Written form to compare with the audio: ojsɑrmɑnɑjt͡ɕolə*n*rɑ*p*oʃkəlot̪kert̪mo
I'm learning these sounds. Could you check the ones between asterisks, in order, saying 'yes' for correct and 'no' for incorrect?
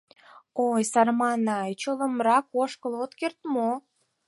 no, no

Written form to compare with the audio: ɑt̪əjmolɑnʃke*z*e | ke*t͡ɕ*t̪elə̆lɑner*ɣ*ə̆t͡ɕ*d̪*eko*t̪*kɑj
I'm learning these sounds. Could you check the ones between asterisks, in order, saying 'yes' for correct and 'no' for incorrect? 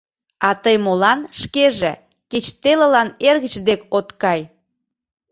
no, yes, yes, yes, yes

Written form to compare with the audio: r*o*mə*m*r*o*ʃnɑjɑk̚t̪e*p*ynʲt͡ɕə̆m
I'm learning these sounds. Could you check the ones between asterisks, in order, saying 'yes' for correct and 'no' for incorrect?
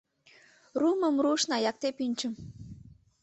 no, yes, no, yes

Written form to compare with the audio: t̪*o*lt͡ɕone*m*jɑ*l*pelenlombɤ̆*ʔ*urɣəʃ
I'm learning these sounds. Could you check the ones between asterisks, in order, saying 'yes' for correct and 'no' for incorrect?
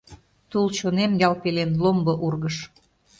no, yes, yes, yes

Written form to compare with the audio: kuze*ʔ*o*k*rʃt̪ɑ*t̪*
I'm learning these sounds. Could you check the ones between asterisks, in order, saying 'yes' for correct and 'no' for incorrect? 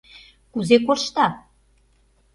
no, no, no

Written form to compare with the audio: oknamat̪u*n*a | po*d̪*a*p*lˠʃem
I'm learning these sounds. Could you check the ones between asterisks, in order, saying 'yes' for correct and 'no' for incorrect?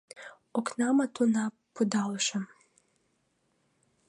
yes, yes, no

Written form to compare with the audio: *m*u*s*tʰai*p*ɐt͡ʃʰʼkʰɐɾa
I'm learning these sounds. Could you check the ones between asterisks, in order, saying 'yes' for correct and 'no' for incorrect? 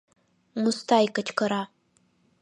yes, yes, no

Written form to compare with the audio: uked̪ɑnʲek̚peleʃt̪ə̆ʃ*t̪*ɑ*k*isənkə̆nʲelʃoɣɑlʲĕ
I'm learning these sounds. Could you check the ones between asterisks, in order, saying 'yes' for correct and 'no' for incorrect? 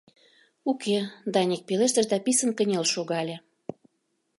no, no

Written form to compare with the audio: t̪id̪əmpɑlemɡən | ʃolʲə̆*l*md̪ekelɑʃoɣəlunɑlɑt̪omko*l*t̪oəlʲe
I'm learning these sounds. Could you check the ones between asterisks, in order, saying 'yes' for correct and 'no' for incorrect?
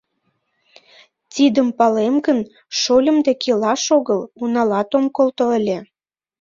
no, yes

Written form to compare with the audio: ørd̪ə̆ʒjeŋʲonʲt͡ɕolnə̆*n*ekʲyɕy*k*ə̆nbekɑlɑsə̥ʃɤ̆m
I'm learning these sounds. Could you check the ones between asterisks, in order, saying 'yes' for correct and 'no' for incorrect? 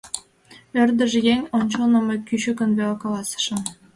no, yes

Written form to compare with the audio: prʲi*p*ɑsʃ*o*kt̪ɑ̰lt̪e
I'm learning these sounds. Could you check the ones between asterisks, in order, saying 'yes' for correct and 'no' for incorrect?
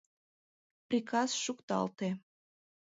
no, no

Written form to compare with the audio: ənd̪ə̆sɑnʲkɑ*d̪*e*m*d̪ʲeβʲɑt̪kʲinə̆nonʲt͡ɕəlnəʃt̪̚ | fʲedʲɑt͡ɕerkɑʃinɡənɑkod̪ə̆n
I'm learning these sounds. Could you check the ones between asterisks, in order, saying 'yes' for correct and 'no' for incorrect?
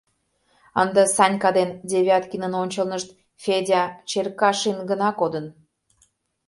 yes, no

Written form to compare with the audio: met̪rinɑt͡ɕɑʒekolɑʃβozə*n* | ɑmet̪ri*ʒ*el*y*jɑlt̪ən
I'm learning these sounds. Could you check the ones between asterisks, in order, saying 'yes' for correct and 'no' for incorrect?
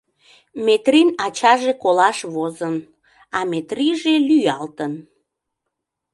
yes, yes, yes

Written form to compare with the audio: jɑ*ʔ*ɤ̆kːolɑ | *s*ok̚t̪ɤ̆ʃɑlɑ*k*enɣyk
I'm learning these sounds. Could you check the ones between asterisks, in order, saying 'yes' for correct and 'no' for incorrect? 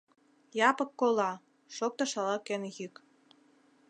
no, no, yes

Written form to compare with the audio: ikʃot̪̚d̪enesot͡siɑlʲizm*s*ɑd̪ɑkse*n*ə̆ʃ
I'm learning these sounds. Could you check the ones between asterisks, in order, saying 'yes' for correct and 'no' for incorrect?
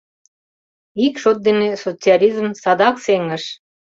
yes, no

